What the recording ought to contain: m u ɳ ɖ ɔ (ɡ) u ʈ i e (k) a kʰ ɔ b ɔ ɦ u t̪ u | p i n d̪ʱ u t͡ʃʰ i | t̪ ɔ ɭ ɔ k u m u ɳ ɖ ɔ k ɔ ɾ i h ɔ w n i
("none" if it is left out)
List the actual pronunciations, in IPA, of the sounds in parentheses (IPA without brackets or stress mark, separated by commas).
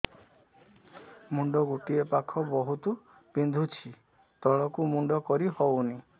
ɡ, p